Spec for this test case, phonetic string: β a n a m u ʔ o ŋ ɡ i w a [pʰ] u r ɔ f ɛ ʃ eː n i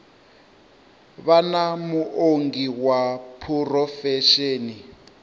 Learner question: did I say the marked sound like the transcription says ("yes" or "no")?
yes